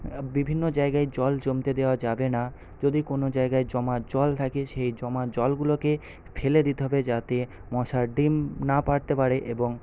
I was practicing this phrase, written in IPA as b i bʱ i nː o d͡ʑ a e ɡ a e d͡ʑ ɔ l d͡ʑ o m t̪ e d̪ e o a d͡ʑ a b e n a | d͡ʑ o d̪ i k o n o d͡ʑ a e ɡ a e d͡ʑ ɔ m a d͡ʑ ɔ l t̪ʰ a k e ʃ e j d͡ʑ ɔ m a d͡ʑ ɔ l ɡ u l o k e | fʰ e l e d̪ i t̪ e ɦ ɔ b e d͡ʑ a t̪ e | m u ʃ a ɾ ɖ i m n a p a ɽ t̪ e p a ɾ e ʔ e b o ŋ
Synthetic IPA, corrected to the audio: b i bʱ i nː o d͡ʑ a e ɡ a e d͡ʑ ɔ l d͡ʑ o m t̪ e d̪ e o a d͡ʑ a b e n a | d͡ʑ o d̪ i k o n o d͡ʑ a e ɡ a e d͡ʑ ɔ m a d͡ʑ ɔ l t̪ʰ a k e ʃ e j d͡ʑ ɔ m a d͡ʑ ɔ l ɡ u l o k e | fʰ e l e d̪ i t̪ e ɦ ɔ b e d͡ʑ a t̪ e | m ɔ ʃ a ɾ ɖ i m n a p a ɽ t̪ e p a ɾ e ʔ e b o ŋ

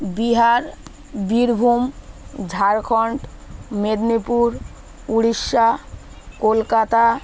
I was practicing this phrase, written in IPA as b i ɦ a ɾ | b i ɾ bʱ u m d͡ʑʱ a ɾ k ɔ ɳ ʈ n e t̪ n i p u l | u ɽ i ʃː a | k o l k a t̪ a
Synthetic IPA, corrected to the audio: b i ɦ a ɾ | b i ɾ bʱ u m d͡ʑʱ a ɾ kʰ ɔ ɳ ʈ m e d̪ n i p u ɾ | u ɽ i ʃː a | k o l k a t̪ a

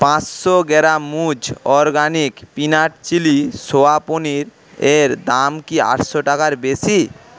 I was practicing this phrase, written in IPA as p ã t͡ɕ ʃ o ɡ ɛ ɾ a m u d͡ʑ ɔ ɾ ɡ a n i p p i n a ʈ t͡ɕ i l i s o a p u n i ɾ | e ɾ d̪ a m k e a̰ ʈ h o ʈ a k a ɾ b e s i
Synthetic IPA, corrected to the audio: p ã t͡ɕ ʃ o ɡ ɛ ɾ a m u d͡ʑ ɔ ɾ ɡ a n i k p i n a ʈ t͡ɕ i l i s o a p o n i ɾ | e ɾ d̪ a m k i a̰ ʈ ʃ o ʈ a k a ɾ b e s i

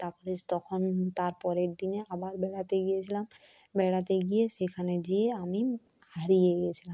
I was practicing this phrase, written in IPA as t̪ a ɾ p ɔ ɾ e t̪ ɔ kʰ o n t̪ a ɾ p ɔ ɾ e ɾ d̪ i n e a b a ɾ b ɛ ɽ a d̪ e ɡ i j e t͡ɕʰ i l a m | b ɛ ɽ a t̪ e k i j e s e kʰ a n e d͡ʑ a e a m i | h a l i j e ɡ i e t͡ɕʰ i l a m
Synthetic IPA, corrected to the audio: t̪ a ɾ p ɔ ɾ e t̪ ɔ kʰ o n t̪ a ɾ p ɔ ɾ e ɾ d̪ i n e a b a ɾ b ɛ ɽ a t̪ e ɡ i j e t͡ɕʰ i l a m | b ɛ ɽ a t̪ e ɡ i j e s e kʰ a n e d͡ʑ i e a m i | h a ɾ i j e ɡ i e t͡ɕʰ i l a m

